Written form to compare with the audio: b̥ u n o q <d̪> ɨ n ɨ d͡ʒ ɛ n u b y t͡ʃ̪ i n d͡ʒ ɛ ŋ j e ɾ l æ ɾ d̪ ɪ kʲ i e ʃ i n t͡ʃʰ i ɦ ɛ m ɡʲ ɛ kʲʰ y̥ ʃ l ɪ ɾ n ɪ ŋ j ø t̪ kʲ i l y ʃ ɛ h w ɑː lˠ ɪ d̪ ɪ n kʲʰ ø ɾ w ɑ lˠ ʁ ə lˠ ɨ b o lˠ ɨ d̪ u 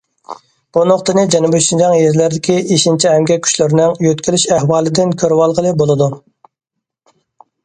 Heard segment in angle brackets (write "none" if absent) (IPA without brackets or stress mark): t̪